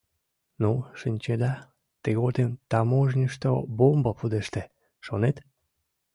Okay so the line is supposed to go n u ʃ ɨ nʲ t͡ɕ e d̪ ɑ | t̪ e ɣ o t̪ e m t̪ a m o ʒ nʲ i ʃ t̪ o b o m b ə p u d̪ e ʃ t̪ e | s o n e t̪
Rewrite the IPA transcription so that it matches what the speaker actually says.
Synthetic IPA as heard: n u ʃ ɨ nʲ t͡ɕ e d̪ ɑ | t̪ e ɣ o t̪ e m t̪ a m o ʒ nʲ i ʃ t̪ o b o m b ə p u d̪ e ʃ t̪ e | ʃ o n e t̪